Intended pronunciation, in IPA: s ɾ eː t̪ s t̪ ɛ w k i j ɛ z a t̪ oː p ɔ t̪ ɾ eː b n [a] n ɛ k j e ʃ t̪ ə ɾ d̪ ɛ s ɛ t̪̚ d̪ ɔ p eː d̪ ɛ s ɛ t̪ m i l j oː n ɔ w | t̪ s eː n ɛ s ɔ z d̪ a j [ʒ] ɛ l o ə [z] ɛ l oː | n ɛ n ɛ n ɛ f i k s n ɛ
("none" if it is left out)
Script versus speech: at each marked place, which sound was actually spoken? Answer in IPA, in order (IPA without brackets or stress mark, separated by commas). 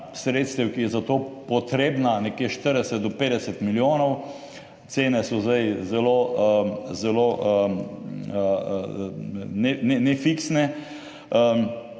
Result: a, z, z